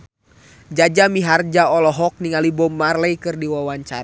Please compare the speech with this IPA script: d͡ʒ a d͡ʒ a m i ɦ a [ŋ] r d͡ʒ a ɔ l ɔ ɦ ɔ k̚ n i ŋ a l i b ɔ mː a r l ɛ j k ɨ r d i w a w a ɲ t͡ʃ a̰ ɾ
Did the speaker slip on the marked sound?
yes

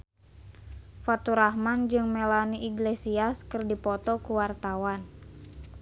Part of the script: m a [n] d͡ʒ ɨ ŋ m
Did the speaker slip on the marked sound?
no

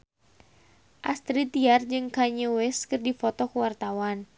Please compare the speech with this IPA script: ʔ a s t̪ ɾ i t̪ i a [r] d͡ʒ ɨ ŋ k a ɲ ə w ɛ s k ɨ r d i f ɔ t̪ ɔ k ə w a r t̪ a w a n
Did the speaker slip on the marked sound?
no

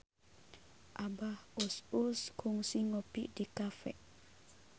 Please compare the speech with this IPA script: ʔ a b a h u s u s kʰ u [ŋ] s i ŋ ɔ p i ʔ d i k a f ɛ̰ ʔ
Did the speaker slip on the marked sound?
no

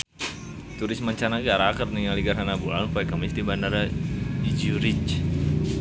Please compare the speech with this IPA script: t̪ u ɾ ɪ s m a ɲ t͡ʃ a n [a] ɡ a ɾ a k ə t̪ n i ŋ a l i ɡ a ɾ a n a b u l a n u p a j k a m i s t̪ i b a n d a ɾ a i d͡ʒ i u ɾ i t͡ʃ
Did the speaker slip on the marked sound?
no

